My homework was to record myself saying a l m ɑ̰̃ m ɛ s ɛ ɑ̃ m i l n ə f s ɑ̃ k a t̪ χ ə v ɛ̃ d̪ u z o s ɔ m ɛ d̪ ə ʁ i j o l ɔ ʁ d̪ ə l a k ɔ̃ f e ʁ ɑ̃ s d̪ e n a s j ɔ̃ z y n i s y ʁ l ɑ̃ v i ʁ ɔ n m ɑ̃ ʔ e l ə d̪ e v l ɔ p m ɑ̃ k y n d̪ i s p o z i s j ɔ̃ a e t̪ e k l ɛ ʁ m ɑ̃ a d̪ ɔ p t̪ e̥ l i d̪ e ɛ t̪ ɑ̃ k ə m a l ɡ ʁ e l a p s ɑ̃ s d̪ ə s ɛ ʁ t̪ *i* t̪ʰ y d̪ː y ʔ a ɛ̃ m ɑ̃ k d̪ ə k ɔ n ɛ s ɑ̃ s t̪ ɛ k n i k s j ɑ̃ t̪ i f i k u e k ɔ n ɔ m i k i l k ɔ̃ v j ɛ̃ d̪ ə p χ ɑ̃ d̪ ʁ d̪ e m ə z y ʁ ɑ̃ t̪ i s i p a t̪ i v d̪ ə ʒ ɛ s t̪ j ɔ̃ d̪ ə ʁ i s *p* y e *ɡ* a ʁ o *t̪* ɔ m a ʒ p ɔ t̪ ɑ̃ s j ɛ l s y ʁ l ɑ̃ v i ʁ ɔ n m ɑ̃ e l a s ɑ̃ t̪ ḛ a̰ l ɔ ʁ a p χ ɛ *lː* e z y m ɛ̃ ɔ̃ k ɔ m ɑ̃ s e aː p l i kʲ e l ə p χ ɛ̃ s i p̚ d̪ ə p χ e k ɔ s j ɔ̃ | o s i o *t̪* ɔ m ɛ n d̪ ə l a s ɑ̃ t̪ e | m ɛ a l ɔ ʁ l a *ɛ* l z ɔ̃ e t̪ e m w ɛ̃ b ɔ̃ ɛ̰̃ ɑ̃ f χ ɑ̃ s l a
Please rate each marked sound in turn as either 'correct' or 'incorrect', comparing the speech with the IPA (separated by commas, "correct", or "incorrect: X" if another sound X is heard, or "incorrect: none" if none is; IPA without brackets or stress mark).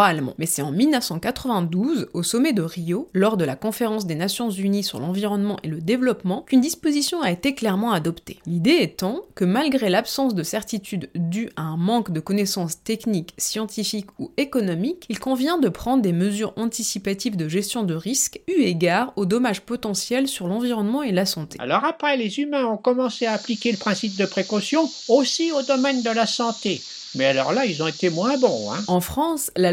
correct, incorrect: k, correct, incorrect: d̪, incorrect: l, incorrect: d̪, incorrect: i